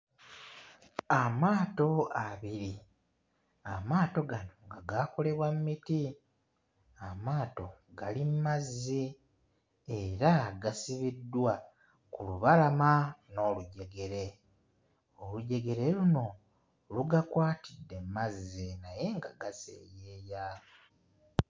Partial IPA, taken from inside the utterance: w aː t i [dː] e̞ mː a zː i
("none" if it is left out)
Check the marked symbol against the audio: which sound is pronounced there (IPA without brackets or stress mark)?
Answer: dː